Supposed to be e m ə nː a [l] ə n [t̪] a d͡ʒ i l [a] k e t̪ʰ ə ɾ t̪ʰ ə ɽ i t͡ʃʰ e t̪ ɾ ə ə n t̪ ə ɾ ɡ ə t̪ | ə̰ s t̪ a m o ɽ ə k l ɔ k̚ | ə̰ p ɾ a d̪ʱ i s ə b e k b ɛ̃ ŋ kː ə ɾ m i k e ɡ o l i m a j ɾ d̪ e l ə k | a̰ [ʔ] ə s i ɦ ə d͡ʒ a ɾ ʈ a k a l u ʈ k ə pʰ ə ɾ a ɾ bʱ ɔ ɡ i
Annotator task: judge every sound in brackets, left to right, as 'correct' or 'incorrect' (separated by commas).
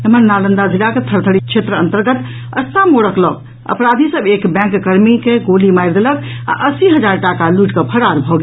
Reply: correct, incorrect, correct, correct